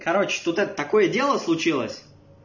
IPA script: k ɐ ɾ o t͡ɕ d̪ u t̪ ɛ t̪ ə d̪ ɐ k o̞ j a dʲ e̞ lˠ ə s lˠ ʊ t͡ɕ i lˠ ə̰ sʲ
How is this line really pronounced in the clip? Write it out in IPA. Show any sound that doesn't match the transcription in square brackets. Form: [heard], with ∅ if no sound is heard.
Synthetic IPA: k ɐ ɾ o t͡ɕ [t̪] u t̪ ɛ t̪ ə [t̪] ɐ k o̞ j [ə] dʲ e̞ lˠ ə s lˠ ʊ t͡ɕ i lˠ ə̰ sʲ